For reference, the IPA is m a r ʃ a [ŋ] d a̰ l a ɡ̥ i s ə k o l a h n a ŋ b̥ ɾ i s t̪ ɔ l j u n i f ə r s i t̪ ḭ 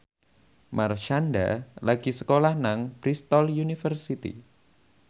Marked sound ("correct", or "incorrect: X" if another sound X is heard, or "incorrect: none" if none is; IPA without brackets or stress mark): incorrect: n